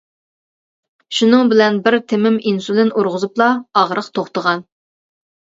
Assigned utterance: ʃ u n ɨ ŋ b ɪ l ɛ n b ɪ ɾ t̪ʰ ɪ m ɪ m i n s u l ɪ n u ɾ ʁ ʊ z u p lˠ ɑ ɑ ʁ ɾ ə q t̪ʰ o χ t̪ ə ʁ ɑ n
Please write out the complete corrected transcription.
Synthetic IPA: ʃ u n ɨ ŋ b ɪ l ɛ n b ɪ ɾ t̪ʰ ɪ m ɪ m i n s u l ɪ n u ɾ ʁ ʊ z u p lˠ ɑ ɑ ʁ ɾ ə q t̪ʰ o χ t̪ ə ʁ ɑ n